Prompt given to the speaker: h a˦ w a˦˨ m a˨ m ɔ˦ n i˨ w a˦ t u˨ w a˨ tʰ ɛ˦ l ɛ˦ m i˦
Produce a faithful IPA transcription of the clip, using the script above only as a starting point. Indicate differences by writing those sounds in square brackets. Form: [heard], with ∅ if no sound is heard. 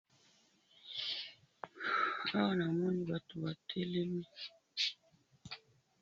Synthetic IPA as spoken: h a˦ w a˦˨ [n] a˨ m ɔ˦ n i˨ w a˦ t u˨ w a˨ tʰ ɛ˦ l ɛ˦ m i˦